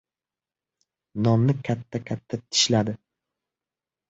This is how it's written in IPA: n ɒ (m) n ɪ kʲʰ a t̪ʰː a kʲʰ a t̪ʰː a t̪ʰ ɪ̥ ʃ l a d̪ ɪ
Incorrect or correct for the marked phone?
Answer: correct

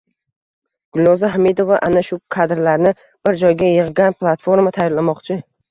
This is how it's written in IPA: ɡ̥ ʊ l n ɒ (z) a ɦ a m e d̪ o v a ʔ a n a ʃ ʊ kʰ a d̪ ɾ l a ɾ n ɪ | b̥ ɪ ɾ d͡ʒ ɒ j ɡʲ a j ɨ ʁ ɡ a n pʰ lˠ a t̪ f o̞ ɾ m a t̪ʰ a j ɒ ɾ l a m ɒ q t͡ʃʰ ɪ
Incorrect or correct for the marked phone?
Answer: correct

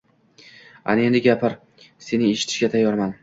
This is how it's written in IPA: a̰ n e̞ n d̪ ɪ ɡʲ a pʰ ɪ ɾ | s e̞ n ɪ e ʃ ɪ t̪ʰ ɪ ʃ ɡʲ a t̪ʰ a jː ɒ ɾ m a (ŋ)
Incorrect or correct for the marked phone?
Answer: incorrect: n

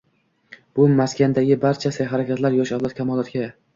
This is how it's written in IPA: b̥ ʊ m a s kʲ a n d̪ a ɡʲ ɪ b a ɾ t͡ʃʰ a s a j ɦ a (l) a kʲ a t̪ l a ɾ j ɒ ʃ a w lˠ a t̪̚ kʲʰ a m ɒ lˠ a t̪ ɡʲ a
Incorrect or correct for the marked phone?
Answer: incorrect: ɾ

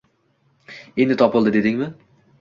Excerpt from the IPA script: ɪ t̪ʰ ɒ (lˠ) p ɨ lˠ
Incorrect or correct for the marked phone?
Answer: incorrect: none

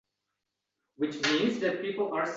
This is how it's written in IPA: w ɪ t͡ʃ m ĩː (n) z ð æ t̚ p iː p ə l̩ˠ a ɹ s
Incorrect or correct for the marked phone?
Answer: correct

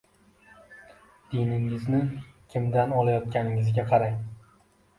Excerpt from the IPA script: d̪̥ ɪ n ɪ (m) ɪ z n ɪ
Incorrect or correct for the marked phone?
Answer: incorrect: ŋ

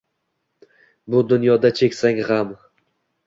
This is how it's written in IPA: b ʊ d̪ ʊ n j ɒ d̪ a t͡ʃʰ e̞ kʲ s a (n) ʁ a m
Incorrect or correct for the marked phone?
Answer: incorrect: ŋ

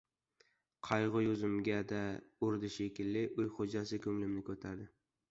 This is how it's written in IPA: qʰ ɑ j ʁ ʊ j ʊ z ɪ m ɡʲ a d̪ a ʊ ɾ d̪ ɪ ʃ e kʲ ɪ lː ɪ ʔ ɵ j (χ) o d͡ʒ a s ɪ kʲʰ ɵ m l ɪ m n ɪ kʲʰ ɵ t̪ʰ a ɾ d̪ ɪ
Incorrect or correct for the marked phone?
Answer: correct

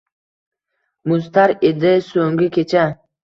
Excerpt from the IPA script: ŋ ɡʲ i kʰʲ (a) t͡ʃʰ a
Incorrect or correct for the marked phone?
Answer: incorrect: e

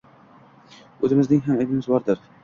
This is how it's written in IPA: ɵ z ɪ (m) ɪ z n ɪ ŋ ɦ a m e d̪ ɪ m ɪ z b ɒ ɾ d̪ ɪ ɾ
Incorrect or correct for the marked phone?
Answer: correct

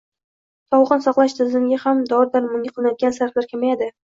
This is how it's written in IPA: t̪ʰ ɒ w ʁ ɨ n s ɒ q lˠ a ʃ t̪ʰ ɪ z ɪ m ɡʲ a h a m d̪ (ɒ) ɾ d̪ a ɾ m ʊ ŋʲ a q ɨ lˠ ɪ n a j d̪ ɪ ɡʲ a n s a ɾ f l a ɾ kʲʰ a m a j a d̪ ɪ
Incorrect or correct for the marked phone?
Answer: correct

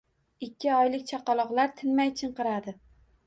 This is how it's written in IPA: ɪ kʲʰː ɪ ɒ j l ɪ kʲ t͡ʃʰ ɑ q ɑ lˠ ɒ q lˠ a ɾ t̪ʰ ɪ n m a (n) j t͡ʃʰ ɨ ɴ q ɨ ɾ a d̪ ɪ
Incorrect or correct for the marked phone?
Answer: incorrect: none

